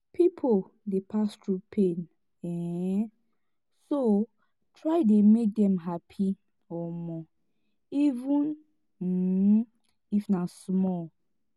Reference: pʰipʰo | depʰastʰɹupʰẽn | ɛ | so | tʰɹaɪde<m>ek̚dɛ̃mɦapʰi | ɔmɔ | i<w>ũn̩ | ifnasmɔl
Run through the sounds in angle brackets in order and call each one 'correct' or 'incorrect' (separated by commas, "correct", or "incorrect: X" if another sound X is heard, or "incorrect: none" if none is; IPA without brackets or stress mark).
correct, incorrect: v